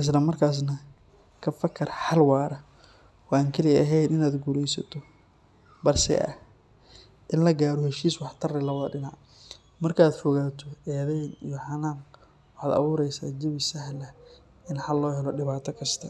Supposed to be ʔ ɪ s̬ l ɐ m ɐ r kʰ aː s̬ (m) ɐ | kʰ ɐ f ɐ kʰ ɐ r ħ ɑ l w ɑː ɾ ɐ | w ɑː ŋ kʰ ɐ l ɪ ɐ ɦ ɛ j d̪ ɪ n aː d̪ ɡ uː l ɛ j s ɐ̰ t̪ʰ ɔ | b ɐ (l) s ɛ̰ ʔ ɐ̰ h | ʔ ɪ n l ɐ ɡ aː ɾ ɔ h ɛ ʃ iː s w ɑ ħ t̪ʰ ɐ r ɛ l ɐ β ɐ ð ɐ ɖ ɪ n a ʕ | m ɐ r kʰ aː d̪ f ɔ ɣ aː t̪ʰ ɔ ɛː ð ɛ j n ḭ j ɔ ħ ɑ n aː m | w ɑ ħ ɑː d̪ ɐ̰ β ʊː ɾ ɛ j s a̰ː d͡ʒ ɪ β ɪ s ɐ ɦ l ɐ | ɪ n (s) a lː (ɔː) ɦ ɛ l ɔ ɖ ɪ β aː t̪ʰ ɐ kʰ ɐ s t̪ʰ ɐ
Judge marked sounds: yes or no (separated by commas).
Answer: no, no, no, yes